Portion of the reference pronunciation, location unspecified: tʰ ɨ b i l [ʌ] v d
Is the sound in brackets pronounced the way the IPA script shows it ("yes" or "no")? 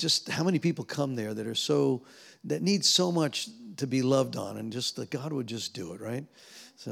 yes